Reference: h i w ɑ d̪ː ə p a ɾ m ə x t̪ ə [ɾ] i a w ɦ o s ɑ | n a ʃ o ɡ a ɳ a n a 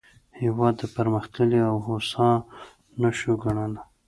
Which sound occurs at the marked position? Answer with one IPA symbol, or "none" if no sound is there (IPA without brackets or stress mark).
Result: l